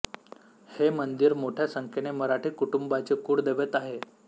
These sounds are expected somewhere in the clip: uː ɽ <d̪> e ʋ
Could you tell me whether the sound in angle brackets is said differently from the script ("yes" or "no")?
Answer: no